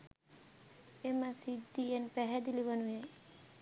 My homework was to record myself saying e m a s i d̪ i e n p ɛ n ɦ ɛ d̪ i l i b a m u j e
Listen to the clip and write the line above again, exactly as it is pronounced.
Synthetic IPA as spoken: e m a s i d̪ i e n p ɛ ɦ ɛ d̪ i l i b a n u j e

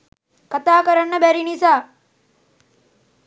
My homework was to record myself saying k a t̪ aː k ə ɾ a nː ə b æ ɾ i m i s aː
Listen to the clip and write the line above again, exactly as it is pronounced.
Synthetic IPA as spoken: k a t̪ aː k ə ɾ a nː ə b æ ɾ i n i s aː

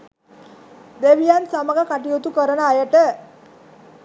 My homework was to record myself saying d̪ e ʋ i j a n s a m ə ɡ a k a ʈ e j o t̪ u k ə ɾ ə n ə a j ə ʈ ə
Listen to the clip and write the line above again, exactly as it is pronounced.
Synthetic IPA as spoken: d̪ e ʋ i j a n s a m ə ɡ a k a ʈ i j o t̪ u k ə ɾ ə n ə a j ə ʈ ə

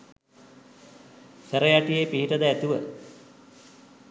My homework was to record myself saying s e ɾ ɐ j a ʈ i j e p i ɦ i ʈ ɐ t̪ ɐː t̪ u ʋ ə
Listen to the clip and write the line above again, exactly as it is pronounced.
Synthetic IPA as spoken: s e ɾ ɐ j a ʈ i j e p i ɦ i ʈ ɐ d̪ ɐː t̪ u ʋ ə

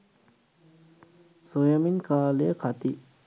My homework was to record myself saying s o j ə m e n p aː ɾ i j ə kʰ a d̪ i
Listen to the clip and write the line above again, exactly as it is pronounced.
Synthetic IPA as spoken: s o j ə m i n k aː l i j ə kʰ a t̪ i

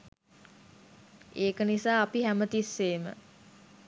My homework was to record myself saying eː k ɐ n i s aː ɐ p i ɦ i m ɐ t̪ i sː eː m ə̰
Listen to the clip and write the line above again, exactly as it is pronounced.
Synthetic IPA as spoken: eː k ə n i s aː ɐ p i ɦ æ m ə t̪ i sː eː m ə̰

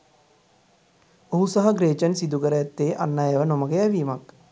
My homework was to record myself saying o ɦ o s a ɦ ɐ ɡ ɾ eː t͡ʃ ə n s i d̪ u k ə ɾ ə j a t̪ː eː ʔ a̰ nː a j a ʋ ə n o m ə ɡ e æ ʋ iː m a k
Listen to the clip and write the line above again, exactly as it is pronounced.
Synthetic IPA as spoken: o ɦ u s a ɦ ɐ ɡ ɾ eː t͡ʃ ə n s i d̪ u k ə ɾ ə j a t̪ː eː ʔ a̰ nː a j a ʋ ə n o m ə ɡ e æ ʋ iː m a k

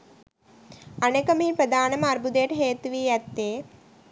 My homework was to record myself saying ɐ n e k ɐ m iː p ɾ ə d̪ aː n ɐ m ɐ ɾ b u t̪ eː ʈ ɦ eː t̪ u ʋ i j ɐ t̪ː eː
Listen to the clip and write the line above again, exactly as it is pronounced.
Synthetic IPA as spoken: ɐ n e k ɐ m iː p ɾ ɐ d̪ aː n ɐ m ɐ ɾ b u d̪ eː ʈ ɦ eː t̪ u ʋ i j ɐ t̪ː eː

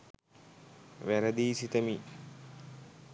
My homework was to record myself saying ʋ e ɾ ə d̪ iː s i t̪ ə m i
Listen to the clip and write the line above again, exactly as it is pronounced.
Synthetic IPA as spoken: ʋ æ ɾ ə d̪ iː s i t̪ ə m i

